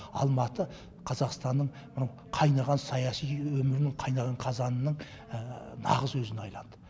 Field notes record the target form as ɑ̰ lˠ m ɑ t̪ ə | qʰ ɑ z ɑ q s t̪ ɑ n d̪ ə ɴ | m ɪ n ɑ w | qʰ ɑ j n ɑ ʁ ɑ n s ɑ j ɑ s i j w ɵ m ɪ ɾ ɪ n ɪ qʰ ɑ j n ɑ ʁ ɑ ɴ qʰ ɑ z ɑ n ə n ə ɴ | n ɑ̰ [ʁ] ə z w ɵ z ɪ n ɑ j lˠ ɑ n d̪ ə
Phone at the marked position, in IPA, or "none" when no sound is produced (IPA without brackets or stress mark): ʁ